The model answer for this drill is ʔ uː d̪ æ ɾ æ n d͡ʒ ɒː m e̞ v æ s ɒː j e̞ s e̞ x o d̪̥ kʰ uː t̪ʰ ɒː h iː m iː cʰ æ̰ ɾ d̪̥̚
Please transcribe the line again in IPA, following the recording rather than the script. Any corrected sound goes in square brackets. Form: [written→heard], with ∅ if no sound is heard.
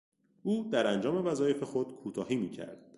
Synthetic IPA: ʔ uː d̪ æ ɾ æ n d͡ʒ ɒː m e̞ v æ [s→z] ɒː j e̞ [s→f] e̞ x o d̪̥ kʰ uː t̪ʰ ɒː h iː m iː cʰ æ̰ ɾ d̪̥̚